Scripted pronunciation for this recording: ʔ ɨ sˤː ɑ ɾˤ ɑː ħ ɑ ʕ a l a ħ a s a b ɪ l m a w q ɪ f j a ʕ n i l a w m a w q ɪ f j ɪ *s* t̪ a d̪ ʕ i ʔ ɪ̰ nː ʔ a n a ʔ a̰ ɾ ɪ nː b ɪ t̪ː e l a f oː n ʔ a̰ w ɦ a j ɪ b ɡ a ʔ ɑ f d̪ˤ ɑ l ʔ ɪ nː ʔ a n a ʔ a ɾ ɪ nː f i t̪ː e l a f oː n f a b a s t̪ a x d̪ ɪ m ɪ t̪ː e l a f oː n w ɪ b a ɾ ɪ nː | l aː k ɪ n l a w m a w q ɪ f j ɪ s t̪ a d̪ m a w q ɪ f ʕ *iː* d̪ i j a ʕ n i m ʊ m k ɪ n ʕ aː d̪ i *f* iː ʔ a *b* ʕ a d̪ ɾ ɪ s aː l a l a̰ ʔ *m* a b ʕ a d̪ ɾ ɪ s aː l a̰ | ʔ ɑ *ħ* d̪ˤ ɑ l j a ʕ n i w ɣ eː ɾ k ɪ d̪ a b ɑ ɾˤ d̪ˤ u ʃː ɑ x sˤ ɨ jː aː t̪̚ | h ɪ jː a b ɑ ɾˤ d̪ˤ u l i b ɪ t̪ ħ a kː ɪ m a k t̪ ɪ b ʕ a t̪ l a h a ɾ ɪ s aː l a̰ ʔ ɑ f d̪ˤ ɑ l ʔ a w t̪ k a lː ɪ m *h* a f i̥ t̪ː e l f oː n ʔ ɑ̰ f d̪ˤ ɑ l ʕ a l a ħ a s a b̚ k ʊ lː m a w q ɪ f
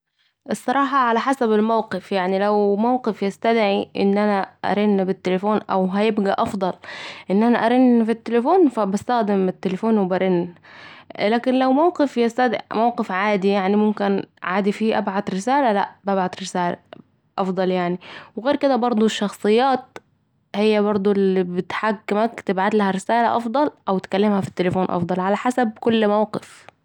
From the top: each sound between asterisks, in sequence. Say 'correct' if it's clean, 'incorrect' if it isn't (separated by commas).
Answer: correct, incorrect, correct, correct, incorrect, incorrect, correct